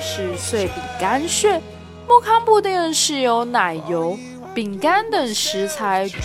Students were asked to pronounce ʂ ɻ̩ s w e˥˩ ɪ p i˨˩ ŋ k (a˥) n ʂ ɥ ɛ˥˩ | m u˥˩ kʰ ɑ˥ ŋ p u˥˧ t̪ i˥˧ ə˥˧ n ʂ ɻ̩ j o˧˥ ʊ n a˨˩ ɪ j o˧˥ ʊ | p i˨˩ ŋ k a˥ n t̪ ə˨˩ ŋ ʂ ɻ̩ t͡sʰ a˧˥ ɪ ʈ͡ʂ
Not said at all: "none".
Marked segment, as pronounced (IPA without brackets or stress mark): a˥